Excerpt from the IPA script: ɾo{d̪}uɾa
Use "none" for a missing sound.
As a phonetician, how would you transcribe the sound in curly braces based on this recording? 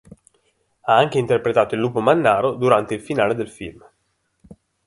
d̪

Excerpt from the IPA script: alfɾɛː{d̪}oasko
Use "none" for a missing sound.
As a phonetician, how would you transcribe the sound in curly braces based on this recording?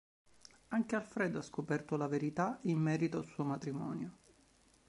d̪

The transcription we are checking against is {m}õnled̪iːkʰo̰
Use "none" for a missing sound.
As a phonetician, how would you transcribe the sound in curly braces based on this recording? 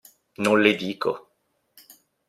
n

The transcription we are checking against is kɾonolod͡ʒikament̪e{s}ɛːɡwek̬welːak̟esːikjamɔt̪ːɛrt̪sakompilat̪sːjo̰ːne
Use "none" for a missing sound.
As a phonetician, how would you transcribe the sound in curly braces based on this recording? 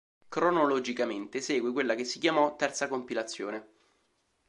s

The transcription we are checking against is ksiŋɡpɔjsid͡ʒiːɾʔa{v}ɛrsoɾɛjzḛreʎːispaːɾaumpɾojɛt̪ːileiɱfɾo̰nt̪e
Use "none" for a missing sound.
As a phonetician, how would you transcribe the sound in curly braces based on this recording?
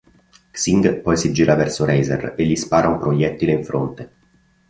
v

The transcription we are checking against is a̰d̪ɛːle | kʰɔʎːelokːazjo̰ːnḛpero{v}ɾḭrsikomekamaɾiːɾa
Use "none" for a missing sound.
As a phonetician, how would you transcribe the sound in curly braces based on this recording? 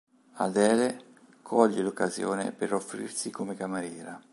f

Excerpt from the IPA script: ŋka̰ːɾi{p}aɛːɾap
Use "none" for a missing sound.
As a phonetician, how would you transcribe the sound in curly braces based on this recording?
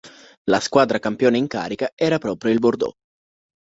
k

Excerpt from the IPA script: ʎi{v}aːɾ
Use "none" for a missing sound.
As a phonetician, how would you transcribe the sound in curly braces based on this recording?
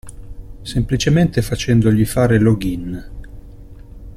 f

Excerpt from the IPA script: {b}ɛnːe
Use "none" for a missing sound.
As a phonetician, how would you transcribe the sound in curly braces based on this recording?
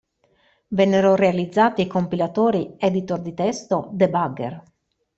v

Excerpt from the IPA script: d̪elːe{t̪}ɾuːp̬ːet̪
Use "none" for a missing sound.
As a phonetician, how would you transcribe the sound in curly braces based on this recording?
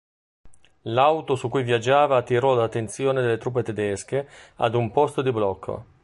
t̪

